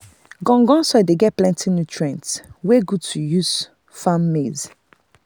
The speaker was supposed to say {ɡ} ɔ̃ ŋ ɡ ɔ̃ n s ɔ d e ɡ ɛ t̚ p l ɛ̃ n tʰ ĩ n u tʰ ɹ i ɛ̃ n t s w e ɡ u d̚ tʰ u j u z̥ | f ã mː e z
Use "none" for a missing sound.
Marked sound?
ɡ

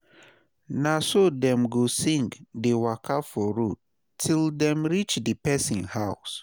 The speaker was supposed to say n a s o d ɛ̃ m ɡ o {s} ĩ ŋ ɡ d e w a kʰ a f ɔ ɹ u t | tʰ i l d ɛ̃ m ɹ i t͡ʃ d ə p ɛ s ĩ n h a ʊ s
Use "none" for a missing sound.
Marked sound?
s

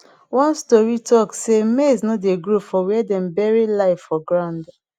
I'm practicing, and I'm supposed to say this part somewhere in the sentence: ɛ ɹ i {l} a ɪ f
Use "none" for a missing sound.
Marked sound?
l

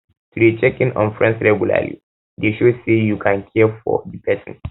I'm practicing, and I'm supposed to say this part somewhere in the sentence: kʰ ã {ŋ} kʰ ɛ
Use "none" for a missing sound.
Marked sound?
n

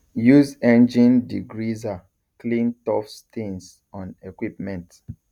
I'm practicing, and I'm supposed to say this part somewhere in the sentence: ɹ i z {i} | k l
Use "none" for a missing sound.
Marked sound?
a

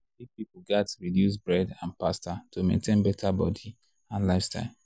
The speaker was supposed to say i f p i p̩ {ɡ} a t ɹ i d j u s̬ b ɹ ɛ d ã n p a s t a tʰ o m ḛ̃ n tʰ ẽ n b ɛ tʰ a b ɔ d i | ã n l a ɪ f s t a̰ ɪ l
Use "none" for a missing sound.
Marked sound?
ɡ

